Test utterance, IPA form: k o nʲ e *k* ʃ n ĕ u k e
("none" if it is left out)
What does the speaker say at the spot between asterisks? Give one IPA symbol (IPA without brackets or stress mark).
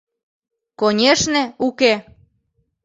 none